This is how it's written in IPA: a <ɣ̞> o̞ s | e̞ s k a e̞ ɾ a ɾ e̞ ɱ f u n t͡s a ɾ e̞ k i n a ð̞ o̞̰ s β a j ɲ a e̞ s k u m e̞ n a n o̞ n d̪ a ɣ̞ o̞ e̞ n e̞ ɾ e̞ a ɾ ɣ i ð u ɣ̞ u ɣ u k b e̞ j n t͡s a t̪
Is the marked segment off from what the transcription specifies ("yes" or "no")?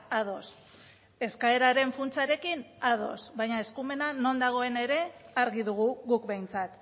yes